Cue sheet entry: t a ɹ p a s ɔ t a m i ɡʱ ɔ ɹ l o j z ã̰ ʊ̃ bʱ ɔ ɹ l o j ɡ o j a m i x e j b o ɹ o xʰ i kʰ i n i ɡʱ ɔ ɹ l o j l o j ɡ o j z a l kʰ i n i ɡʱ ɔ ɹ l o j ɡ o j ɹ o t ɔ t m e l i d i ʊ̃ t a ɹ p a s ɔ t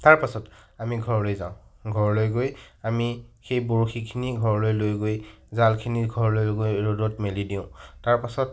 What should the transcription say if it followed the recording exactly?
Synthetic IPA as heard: t a ɹ p a s ɔ t a m i ɡʱ ɔ ɹ l o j z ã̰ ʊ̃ ɡʱ ɔ ɹ l o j ɡ o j a m i x e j b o ɹ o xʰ i kʰ i n i ɡʱ ɔ ɹ l o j l o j ɡ o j z a l kʰ i n i ɡʱ ɔ ɹ l o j ɡ o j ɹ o d ɔ t m e l i d i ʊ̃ t a ɹ p a s ɔ t